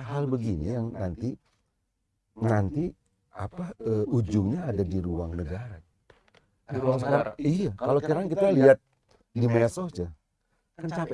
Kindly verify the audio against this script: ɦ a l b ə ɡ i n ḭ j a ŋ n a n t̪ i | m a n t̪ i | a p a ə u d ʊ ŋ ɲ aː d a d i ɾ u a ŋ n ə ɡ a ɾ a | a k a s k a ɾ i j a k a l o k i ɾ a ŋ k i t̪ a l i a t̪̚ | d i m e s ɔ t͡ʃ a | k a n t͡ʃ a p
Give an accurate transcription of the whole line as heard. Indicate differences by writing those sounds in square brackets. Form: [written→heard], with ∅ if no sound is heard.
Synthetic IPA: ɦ a l b ə ɡ i n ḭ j a ŋ n a n t̪ i | [m→n] a n t̪ i | a p a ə u [d→d͡ʒ] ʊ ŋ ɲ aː d a d i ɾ u a ŋ n ə ɡ a ɾ a | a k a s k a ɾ i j a k a l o k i ɾ a ŋ k i t̪ a l i a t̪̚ | d i m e s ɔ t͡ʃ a | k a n t͡ʃ a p